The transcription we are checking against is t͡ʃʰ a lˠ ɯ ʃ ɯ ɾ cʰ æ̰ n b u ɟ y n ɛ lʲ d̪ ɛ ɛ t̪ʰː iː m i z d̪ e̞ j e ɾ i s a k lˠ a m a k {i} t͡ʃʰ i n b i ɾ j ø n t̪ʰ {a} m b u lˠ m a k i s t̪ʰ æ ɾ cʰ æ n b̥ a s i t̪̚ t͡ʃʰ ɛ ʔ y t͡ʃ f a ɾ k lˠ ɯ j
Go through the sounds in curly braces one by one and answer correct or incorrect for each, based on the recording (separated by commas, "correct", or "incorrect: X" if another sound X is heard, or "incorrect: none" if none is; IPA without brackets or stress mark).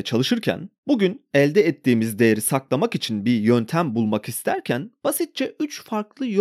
correct, incorrect: æ